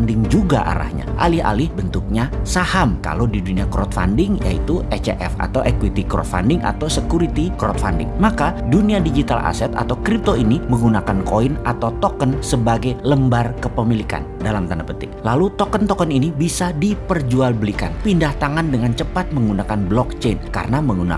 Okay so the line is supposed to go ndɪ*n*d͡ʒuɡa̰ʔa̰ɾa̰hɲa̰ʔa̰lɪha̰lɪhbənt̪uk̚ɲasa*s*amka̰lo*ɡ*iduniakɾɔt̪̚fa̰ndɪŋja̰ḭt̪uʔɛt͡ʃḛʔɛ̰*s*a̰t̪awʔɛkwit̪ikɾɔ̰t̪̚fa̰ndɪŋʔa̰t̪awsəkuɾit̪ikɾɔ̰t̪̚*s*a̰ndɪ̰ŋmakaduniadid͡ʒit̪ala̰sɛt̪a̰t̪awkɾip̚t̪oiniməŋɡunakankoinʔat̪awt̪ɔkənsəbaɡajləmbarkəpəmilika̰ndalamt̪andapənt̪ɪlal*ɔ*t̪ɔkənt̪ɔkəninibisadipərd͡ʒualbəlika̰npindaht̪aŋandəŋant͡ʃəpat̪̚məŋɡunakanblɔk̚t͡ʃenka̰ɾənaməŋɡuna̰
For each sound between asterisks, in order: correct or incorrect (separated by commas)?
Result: incorrect, incorrect, incorrect, incorrect, incorrect, incorrect